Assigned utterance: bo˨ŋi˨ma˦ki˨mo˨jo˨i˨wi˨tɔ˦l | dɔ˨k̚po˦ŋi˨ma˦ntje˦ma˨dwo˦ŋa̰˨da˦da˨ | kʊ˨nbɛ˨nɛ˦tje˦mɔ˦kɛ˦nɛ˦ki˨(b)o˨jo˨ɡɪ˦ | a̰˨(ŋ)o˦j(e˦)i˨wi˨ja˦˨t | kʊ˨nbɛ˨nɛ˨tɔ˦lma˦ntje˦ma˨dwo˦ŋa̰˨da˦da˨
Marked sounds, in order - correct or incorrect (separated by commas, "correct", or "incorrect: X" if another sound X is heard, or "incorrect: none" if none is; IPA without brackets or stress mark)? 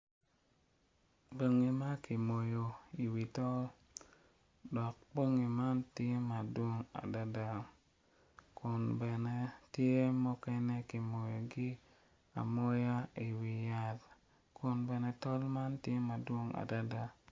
incorrect: m, incorrect: m, incorrect: a˦